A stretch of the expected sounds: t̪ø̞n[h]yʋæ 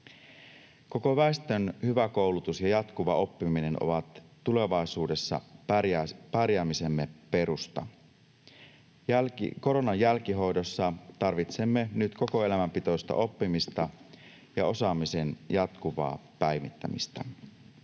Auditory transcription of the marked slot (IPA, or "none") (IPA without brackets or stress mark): h